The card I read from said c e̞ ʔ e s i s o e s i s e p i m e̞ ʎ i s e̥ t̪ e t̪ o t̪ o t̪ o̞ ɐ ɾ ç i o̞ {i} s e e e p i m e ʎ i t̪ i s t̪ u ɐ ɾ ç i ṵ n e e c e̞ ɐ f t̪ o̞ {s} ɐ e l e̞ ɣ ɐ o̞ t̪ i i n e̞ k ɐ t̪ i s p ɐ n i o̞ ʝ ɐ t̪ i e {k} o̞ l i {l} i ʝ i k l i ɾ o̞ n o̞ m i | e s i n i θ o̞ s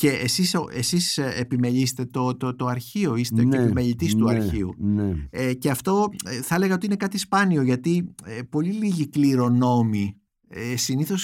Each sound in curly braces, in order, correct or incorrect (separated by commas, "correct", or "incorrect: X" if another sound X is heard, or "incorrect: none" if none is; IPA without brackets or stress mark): correct, incorrect: θ, incorrect: p, correct